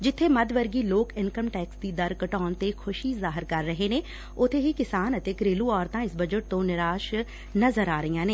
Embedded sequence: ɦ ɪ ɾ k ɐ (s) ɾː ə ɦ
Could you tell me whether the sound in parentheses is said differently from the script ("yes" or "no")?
yes